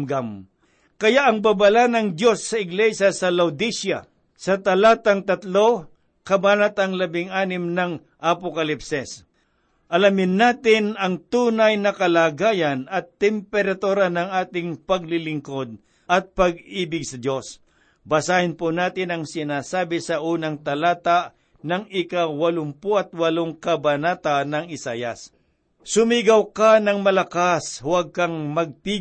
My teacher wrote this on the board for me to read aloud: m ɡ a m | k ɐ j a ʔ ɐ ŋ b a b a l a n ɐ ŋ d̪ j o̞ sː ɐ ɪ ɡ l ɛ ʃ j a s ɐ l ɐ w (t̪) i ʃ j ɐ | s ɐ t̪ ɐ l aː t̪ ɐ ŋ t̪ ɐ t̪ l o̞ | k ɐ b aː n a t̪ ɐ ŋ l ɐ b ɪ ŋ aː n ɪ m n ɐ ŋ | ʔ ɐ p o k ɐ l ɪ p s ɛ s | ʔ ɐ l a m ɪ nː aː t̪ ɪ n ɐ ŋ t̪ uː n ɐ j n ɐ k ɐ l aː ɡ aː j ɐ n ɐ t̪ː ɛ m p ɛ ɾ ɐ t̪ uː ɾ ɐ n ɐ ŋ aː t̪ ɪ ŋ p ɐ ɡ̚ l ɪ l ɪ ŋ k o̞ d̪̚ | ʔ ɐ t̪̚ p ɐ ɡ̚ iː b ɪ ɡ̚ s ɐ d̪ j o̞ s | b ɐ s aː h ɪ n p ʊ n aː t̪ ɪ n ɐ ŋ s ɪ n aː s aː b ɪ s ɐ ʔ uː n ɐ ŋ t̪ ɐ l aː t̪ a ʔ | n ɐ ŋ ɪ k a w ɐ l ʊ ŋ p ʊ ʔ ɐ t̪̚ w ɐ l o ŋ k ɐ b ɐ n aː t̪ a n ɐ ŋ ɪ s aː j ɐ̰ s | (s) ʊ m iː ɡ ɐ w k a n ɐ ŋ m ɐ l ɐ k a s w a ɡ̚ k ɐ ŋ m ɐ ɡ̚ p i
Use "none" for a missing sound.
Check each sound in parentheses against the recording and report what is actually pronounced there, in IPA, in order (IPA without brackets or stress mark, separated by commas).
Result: d̪, s